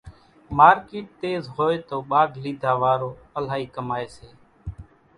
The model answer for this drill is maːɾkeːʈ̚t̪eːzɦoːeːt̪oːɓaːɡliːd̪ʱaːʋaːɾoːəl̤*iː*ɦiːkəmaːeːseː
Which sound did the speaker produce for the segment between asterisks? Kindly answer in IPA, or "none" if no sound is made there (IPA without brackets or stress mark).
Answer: aː